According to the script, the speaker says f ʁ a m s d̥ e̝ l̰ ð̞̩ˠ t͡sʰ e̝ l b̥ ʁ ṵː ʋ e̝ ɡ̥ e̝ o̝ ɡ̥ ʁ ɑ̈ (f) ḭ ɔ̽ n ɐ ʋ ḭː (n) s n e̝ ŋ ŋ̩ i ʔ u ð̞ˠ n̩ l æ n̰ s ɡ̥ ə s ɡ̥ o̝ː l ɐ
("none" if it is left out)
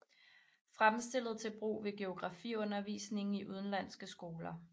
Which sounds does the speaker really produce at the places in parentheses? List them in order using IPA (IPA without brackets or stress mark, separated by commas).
f, none